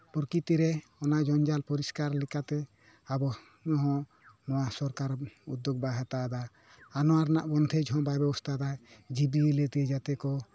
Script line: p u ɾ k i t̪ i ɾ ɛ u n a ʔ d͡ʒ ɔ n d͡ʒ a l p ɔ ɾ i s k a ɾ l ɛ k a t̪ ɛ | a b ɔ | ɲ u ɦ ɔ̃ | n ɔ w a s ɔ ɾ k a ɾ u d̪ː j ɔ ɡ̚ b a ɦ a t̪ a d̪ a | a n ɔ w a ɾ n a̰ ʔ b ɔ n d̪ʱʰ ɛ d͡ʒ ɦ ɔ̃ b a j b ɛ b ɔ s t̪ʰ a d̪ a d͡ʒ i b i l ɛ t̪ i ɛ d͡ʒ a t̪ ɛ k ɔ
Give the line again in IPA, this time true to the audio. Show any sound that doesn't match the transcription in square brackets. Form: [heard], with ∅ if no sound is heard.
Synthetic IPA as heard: p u ɾ k i t̪ i ɾ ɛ [ɔ] n a ʔ d͡ʒ ɔ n d͡ʒ a l p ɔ ɾ i s k a ɾ l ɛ k a t̪ ɛ | a b ɔ | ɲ [ɔ] ɦ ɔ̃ | n ɔ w a s ɔ ɾ k a ɾ u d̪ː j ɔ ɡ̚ b a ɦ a t̪ a d̪ a | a n ɔ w a ɾ n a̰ ʔ b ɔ n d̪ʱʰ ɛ d͡ʒ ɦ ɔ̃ b a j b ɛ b ɔ s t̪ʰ a d̪ a d͡ʒ i b i l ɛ t̪ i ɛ d͡ʒ a t̪ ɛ k ɔ